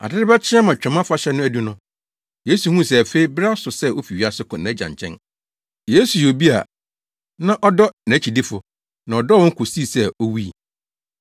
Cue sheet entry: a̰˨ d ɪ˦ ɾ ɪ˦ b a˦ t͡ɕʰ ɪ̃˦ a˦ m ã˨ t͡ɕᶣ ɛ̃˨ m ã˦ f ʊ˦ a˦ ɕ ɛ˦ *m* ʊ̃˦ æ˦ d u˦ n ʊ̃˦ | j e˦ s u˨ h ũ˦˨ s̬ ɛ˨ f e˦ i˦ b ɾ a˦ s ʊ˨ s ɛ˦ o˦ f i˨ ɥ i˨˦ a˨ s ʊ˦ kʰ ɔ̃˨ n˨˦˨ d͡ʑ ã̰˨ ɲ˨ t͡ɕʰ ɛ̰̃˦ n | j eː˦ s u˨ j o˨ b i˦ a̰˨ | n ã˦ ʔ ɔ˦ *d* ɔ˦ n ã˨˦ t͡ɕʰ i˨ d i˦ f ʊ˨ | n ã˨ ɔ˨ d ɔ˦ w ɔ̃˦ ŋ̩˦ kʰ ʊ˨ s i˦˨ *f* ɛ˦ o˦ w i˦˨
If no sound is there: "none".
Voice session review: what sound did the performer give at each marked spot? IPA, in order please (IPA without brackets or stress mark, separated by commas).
n, d, s